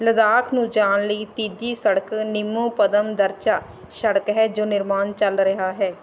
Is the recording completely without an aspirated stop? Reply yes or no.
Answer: no